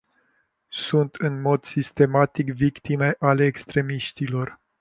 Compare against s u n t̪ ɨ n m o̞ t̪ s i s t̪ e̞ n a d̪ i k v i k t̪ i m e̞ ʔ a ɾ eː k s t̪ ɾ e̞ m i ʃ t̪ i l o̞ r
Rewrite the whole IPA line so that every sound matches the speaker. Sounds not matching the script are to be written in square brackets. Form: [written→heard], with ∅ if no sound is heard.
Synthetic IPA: s u n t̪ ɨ n m o̞ [t̪→d̪] s i s t̪ e̞ [n→m] a [d̪→t̪] i k v i k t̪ i m e̞ ʔ a [ɾ→l] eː k s t̪ ɾ e̞ m i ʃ t̪ i l o̞ r